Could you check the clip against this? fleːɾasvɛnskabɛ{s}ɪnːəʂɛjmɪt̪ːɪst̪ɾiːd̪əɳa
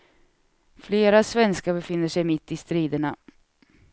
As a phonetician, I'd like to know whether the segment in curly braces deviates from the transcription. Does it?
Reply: yes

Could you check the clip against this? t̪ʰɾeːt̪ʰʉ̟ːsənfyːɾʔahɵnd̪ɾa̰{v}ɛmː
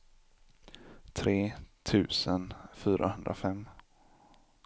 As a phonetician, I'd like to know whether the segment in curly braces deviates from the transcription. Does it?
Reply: yes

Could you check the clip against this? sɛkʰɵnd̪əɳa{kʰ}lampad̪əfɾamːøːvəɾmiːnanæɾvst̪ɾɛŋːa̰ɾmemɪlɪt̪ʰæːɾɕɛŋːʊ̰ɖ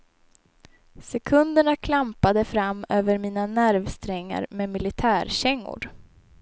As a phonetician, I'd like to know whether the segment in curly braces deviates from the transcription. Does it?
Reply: no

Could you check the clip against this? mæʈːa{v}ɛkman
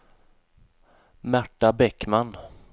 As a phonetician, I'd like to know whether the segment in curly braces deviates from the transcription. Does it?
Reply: yes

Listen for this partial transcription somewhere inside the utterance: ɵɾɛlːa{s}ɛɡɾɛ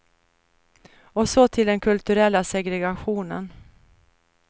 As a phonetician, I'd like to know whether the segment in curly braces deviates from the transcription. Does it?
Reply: no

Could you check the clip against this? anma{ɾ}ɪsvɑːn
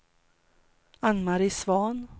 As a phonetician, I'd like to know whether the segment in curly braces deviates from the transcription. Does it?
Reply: no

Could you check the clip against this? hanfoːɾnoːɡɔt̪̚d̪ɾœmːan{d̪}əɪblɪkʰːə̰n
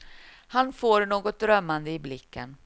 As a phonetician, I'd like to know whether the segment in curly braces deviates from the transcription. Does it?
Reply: no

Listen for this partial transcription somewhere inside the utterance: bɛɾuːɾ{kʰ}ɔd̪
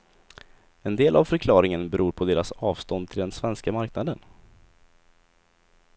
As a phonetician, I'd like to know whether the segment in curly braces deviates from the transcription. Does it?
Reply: yes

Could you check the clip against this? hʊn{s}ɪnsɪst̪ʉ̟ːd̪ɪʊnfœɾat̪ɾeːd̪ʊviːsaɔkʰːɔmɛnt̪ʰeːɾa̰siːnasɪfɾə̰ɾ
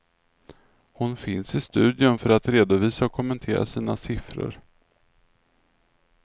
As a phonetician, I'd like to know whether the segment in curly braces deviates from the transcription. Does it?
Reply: yes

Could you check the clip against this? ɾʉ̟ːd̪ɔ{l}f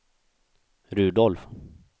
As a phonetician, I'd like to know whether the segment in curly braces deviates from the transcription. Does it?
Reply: no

